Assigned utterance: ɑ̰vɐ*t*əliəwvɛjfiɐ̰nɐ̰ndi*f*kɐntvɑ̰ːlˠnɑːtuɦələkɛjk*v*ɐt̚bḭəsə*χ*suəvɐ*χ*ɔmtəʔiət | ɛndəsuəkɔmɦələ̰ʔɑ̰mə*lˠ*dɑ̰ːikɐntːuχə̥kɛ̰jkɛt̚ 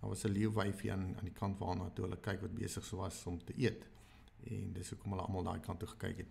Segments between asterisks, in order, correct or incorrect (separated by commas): incorrect, incorrect, correct, correct, incorrect, correct